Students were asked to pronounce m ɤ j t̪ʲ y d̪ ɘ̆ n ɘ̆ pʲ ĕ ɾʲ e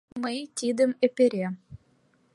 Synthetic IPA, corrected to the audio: m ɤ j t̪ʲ i d̪ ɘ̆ m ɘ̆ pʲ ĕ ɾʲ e